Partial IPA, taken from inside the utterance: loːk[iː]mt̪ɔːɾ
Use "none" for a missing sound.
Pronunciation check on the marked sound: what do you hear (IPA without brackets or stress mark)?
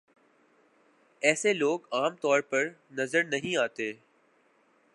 aː